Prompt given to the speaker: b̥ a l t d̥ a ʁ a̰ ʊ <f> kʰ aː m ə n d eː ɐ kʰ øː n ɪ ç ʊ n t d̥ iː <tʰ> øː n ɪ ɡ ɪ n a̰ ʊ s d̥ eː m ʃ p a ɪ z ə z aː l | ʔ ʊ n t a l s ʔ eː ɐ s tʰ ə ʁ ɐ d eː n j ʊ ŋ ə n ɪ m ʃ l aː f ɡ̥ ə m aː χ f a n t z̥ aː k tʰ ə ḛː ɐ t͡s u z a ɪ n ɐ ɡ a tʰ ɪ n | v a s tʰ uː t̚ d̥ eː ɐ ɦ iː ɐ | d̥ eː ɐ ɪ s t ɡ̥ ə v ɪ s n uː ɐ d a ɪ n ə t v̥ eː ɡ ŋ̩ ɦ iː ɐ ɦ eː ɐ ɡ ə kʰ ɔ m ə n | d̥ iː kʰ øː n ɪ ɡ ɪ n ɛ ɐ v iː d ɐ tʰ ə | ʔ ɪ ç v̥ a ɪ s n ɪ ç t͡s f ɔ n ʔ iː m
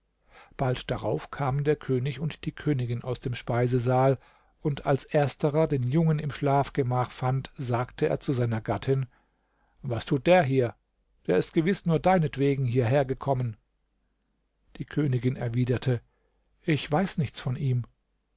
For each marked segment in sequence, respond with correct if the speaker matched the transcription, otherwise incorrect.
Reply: correct, incorrect: kʰ

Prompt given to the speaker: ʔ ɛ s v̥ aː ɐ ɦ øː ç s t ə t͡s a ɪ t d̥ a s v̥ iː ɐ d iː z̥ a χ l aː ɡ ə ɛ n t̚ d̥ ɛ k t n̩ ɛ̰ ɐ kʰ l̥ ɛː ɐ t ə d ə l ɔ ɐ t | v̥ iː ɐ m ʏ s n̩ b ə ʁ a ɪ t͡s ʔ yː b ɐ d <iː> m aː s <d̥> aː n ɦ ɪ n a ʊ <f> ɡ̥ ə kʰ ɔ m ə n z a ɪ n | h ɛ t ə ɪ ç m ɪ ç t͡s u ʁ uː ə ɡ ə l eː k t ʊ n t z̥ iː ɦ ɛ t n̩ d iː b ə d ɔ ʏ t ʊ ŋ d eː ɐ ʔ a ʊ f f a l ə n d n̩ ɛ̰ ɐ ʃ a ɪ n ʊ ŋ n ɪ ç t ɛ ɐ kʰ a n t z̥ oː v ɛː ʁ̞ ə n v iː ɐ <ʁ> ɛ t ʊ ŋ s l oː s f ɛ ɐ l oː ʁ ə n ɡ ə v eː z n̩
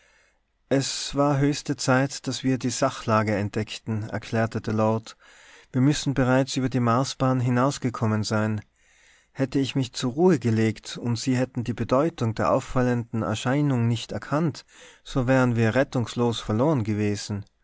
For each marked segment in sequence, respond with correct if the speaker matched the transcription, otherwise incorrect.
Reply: correct, incorrect: b̥, incorrect: s, correct

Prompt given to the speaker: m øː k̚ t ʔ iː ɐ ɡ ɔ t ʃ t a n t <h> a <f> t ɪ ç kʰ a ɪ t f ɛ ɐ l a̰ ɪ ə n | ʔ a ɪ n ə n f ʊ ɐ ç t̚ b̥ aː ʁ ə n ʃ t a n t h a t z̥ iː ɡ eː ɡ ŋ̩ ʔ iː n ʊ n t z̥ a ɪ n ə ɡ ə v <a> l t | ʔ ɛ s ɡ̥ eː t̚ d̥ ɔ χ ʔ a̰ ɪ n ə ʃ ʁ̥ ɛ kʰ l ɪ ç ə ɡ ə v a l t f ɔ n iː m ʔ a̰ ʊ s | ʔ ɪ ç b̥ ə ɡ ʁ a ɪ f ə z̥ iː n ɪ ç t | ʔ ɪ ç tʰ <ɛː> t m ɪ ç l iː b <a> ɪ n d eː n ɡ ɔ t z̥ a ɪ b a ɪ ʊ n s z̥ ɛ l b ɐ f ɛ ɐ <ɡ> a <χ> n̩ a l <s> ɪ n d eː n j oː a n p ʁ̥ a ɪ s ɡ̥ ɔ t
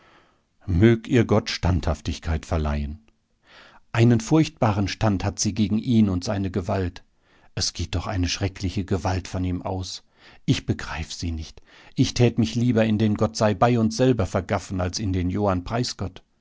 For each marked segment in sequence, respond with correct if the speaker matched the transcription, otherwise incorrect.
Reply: correct, correct, correct, correct, incorrect: ɐ, correct, incorrect: f, correct

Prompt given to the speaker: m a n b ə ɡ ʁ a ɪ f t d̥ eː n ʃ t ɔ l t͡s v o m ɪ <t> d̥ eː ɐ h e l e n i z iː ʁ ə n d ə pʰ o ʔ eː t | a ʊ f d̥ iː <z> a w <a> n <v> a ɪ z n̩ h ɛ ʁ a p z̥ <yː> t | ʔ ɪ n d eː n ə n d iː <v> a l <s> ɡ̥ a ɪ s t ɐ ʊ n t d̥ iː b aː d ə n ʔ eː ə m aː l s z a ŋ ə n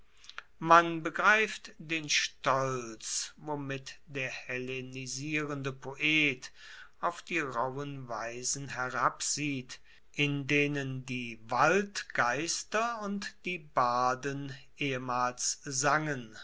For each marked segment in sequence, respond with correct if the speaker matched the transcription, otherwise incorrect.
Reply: correct, incorrect: ʁ, incorrect: ə, correct, incorrect: iː, correct, incorrect: t

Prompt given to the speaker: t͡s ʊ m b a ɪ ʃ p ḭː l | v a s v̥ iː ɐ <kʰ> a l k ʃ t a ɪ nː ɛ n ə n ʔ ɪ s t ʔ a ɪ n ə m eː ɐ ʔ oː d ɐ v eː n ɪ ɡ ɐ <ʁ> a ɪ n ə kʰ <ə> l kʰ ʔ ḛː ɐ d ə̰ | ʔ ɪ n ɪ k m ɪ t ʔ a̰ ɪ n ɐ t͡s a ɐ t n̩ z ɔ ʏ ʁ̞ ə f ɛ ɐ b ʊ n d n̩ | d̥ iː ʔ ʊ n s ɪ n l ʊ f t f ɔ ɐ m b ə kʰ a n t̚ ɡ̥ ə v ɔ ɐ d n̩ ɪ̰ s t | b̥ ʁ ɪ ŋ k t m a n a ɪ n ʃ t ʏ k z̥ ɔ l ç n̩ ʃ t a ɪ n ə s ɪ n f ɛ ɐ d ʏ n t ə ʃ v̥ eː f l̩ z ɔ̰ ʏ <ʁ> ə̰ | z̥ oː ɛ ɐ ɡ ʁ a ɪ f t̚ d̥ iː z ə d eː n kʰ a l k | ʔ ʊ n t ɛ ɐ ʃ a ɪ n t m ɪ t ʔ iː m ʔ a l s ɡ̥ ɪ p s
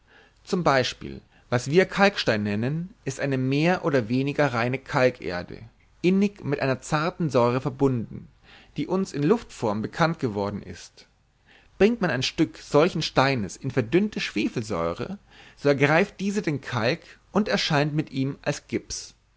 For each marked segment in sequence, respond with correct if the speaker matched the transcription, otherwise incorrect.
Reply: correct, correct, incorrect: a, correct

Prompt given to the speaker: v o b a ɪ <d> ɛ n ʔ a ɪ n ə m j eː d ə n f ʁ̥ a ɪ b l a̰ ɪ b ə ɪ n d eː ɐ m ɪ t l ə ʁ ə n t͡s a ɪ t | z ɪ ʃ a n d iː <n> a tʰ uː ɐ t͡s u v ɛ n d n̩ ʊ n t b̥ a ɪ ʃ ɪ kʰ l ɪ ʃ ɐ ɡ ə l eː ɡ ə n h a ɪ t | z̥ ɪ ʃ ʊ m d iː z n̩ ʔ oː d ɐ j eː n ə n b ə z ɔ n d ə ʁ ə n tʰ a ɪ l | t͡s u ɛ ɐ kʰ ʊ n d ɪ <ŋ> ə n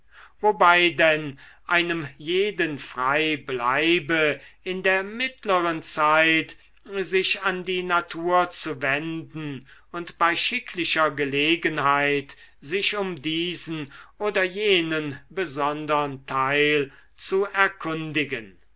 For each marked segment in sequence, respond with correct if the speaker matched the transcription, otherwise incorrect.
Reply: correct, correct, incorrect: ɡ

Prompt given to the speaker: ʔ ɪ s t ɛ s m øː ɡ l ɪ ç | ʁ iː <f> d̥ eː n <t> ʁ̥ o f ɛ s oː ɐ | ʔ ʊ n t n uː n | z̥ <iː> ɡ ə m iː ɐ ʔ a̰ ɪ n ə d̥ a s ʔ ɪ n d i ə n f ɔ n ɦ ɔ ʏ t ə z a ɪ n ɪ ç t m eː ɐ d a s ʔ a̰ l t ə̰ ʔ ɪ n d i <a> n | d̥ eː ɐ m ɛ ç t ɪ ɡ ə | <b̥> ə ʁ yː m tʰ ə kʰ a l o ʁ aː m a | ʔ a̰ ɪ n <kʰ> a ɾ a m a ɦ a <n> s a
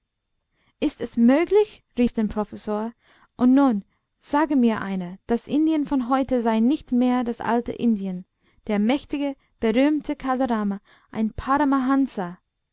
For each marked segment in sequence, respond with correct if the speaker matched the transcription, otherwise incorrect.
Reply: correct, incorrect: p, incorrect: aː, incorrect: ə, correct, incorrect: pʰ, correct

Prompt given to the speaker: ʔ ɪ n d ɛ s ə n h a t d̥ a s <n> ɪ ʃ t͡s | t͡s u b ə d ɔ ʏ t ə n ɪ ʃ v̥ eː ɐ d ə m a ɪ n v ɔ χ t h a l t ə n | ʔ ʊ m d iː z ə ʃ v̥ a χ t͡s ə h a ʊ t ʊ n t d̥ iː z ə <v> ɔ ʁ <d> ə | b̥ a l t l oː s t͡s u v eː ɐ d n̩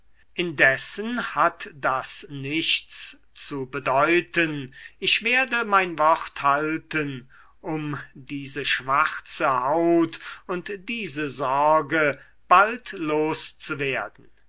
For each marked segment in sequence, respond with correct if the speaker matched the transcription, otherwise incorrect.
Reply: correct, incorrect: z, incorrect: ɡ

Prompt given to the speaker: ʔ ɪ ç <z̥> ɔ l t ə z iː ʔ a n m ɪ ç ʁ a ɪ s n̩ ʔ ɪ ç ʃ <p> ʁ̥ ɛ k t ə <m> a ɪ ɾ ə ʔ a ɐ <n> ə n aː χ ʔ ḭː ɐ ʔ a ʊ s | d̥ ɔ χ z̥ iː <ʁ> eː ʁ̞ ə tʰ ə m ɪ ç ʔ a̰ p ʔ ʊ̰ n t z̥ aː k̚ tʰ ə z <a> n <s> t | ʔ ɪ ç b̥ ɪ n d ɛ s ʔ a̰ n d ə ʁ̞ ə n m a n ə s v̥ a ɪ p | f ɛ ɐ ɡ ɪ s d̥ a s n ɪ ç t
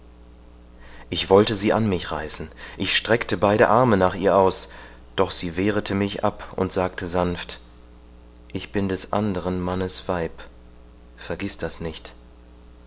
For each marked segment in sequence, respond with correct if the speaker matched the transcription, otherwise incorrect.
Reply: incorrect: v̥, incorrect: t, incorrect: b, incorrect: m, incorrect: v, correct, incorrect: f

